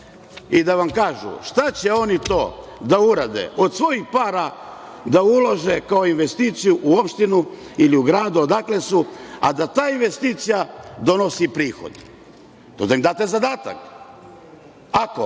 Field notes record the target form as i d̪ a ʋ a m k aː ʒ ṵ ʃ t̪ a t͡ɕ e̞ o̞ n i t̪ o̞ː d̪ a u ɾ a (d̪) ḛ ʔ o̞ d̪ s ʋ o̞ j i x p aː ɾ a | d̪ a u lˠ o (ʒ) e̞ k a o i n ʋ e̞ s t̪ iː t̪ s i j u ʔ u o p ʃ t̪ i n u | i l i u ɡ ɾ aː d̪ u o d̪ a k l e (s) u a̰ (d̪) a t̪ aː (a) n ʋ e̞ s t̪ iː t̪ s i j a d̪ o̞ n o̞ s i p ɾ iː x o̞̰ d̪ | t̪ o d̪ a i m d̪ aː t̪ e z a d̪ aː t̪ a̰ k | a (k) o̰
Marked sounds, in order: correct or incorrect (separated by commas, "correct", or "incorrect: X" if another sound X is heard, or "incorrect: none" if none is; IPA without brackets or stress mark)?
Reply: correct, correct, correct, correct, incorrect: i, correct